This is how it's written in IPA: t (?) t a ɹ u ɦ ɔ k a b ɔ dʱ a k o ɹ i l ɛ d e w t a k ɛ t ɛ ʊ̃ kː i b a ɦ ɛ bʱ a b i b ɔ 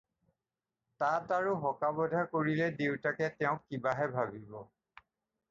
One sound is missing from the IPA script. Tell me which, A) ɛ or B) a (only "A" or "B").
B